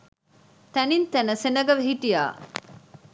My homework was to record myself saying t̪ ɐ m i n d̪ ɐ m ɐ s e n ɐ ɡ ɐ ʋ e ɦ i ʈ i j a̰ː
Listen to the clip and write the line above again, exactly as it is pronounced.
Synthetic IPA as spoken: t̪ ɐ n i n t̪ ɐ n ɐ s e n ɐ ɡ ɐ ʋ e ɦ i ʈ i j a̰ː

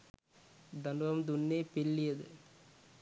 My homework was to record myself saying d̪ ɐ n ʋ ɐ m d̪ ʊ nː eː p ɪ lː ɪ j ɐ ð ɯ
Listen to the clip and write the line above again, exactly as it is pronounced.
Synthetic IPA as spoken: d̪ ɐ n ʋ ɐ m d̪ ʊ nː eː p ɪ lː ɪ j ɐ ð ɯ

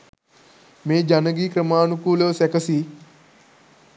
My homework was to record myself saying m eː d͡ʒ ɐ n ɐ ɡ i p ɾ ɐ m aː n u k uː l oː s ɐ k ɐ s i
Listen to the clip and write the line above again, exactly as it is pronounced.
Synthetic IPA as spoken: m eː d͡ʒ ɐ n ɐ ɡ i k ɾ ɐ m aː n u k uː l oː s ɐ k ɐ s i

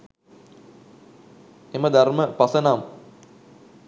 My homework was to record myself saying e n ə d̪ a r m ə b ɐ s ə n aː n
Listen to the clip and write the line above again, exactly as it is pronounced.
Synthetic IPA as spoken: e m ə d̪ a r m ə p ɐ s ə n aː m

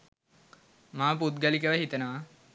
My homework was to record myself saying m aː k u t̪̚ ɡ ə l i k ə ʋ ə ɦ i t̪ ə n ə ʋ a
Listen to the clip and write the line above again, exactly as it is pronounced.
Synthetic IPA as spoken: m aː p u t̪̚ ɡ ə l i k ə ʋ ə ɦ i t̪ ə n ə ʋ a

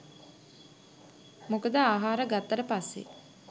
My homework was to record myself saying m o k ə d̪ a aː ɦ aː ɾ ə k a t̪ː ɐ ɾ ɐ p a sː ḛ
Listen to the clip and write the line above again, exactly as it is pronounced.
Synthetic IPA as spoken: m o k ə d̪ ə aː ɦ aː ɾ ə ɡ a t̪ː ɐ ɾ ə p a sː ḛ

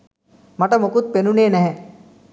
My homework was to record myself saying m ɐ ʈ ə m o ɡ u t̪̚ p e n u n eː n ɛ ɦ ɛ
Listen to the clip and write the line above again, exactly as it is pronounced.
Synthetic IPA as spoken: m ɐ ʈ ə m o k u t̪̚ p e n u n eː n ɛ ɦ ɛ

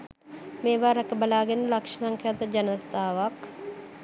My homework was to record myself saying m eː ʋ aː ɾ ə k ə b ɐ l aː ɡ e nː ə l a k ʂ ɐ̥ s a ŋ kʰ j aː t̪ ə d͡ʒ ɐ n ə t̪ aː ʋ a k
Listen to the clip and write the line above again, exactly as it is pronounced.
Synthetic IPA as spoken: m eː ʋ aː ɾ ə k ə b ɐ l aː ɡ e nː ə l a k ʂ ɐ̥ s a ŋ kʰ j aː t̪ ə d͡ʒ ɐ n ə t̪ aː ʋ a k

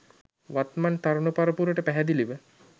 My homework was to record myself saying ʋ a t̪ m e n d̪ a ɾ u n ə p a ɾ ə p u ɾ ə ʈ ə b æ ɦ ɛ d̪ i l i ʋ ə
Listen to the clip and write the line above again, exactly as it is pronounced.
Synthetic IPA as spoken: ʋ a t̪ m a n t̪ a ɾ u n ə p a ɾ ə p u ɾ ə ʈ ə p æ ɦ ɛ d̪ i l i ʋ ə

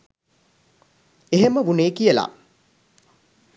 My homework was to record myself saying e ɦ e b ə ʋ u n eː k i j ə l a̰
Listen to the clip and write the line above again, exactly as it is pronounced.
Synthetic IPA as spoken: e ɦ e m ə ʋ u n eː k i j ə l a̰

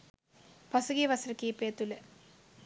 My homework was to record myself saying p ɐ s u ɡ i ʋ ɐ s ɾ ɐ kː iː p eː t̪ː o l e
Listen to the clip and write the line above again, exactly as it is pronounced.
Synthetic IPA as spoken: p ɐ s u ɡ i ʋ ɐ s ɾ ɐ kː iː p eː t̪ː u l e

